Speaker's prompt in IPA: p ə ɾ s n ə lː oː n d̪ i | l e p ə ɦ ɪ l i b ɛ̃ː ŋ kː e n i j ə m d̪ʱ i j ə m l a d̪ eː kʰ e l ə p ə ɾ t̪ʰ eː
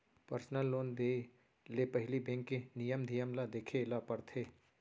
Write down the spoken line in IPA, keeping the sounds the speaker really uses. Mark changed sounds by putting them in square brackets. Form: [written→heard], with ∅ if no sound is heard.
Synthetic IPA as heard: p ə ɾ s n ə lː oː n d̪ [i→e] | l e p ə ɦ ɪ l i b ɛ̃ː ŋ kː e n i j ə m d̪ʱ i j ə m l a d̪ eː kʰ e l [ə→a] p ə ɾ t̪ʰ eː